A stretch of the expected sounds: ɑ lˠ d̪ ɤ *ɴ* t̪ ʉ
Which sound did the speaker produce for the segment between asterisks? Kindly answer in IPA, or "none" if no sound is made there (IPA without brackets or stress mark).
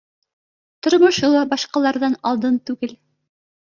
n